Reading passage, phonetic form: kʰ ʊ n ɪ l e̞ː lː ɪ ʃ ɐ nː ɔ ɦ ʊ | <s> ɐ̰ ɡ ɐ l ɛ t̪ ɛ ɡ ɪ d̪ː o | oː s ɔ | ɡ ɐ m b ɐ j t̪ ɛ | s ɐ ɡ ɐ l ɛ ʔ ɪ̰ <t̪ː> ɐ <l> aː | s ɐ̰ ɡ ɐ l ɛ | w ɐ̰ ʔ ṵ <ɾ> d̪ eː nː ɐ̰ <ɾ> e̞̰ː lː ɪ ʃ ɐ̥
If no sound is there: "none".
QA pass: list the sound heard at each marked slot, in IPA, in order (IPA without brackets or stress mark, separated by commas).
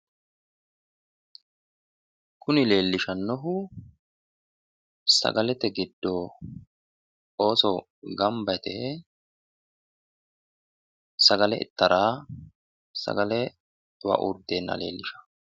s, t̪ː, ɾ, ɾ, l